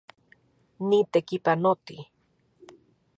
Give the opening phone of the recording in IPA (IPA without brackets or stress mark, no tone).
n